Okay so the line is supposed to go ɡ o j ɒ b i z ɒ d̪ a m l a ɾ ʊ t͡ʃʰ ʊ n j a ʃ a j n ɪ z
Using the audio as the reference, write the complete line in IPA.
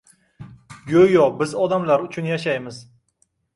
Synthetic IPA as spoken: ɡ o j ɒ b ɪ z ɒ d̪ a m l a ɾ ʊ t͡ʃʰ ʊ n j a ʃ a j m ɪ z